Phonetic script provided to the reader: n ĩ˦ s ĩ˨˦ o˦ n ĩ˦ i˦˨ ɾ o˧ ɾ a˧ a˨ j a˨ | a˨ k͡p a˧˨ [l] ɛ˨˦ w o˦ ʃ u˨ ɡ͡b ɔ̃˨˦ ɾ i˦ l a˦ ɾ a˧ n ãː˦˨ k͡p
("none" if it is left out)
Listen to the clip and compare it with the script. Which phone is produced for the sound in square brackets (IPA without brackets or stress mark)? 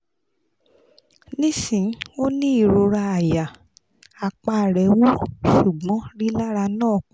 ɾ